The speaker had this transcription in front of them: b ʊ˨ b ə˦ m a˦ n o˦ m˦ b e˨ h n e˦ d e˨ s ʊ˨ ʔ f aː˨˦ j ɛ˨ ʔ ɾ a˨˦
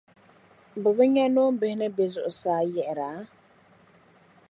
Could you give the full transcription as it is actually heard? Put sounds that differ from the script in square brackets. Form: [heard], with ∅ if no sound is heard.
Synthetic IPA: b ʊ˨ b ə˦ [ɲ] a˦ n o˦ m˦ b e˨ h n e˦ [b] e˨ [z] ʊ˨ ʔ [s] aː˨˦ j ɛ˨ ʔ ɾ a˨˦